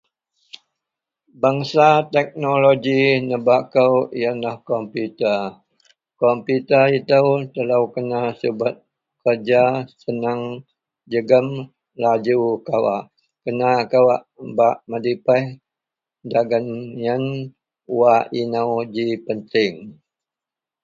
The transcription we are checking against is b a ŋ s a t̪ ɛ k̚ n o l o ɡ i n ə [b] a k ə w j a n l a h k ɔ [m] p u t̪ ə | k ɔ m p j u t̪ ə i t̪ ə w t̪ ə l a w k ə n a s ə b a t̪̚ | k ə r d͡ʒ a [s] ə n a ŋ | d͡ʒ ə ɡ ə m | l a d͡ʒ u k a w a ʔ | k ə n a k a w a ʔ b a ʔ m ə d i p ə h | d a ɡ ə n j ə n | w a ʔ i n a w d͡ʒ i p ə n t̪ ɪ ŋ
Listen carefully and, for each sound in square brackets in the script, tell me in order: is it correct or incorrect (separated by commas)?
correct, correct, correct